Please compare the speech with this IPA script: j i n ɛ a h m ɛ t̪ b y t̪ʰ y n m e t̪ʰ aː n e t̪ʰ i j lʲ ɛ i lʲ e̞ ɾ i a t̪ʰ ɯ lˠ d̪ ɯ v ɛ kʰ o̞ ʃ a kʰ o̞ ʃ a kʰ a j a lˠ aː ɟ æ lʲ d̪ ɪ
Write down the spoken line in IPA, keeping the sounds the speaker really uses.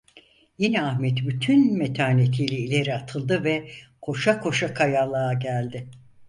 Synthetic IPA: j i n ɛ a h m ɛ t̪ b y t̪ʰ y n m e t̪ʰ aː n e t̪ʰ i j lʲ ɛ i lʲ e̞ ɾ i a t̪ʰ ɯ lˠ d̪ ɯ v ɛ kʰ o̞ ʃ a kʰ o̞ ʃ a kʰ a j a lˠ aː ɟ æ lʲ d̪ ɪ